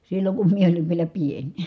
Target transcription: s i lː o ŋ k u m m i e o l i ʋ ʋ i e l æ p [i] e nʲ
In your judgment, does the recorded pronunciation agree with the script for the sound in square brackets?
yes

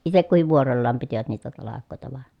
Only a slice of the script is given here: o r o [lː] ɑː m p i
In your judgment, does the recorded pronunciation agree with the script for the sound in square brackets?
yes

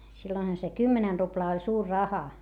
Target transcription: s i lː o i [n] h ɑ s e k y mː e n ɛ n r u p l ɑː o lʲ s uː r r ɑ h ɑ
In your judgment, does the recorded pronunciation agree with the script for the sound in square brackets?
yes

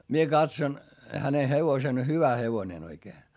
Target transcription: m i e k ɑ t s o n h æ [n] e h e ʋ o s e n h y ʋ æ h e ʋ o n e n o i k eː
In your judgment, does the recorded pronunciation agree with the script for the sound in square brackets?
yes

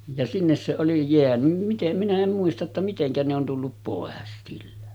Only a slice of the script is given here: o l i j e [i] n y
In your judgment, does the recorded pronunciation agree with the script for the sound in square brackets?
no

